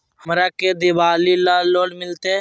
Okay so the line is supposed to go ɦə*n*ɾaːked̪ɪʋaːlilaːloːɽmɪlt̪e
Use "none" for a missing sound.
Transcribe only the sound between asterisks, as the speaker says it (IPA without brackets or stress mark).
m